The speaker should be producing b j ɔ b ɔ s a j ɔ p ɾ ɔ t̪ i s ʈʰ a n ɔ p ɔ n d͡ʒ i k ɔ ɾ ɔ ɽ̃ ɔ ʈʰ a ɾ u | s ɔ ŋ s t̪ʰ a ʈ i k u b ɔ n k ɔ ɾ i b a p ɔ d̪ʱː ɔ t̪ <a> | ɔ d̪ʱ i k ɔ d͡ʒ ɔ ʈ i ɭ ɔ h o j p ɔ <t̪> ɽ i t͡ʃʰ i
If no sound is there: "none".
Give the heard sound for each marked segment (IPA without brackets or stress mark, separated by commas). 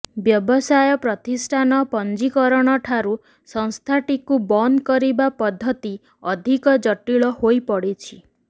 i, none